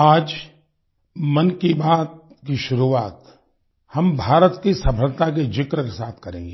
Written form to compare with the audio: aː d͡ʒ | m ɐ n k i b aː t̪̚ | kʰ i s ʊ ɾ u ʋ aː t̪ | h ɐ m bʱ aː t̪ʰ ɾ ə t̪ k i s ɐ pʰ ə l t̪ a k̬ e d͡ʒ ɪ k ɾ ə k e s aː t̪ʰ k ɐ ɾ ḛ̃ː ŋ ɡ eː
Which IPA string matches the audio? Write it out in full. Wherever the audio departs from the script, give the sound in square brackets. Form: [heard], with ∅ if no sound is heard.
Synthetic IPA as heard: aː d͡ʒ | m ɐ n k i b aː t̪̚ | [k] i [ʃ] ʊ ɾ u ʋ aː t̪ | h ɐ m bʱ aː [∅] ɾ ə t̪ k i s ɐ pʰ ə l t̪ a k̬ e d͡ʒ ɪ k ɾ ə k e s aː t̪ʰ k ɐ ɾ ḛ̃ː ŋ ɡ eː